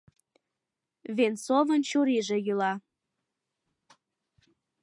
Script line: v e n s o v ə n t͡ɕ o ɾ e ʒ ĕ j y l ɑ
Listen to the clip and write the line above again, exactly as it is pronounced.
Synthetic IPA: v e n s o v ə n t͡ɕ u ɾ i ʒ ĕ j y l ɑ